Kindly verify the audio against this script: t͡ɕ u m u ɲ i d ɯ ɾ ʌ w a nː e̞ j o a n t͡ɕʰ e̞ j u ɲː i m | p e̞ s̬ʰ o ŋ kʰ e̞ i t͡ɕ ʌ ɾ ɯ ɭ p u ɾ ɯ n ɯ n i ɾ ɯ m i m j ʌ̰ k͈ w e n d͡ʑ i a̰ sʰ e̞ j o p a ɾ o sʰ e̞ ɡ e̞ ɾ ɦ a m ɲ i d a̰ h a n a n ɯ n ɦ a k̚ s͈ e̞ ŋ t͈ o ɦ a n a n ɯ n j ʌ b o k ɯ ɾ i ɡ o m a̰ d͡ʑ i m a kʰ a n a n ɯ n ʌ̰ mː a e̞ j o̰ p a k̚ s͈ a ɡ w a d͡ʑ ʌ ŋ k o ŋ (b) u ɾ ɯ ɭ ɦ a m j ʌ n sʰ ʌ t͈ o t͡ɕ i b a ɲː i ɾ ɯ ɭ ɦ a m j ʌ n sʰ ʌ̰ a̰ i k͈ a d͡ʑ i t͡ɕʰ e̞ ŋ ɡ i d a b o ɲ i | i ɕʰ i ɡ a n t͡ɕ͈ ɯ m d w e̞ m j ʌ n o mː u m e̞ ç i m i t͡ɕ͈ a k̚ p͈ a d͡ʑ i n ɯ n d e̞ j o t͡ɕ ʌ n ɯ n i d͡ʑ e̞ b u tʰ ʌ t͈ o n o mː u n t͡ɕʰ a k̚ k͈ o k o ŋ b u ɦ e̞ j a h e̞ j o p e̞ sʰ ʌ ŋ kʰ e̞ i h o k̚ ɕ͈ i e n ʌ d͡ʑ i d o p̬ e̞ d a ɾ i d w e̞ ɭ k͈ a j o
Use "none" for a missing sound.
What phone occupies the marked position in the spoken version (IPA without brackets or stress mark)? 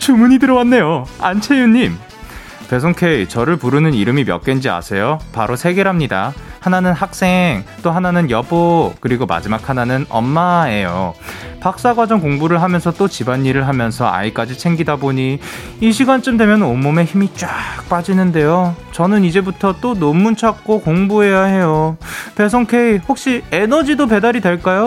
b